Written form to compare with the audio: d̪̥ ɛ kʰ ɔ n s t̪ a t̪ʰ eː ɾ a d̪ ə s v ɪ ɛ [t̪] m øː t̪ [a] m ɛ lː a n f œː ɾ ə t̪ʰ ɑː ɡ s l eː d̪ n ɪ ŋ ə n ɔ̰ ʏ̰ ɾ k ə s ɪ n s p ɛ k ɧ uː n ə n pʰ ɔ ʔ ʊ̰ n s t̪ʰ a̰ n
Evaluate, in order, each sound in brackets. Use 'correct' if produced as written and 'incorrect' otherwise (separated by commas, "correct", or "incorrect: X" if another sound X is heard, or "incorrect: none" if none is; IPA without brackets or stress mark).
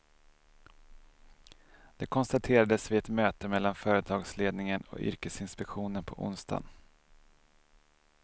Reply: correct, incorrect: ə